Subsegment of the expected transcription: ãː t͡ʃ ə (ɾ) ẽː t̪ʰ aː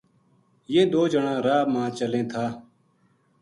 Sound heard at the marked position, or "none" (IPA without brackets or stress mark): l